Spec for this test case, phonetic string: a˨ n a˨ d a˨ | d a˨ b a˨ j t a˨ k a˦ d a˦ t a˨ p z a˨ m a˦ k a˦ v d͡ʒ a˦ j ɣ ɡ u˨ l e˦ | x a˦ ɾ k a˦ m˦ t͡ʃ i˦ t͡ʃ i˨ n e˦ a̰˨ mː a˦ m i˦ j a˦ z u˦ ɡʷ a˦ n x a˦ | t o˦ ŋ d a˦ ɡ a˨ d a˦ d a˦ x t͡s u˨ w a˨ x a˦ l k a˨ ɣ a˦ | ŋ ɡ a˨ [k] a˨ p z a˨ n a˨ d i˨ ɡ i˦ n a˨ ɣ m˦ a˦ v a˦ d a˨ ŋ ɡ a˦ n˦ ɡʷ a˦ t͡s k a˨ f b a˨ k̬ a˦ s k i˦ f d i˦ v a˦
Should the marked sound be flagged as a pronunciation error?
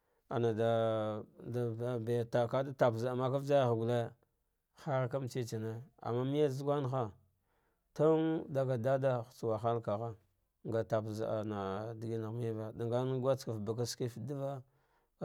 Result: yes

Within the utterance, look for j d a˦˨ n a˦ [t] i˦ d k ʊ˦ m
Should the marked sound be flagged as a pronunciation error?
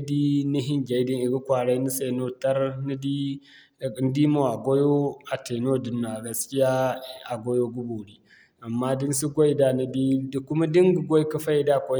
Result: yes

